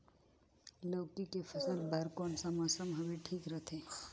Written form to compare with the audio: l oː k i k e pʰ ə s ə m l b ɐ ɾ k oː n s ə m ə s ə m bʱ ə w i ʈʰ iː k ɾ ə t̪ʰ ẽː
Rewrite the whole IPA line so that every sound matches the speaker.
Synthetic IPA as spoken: l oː k i k e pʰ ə s ə l b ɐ ɾ k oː n s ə m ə s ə m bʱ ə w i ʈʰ iː k ɾ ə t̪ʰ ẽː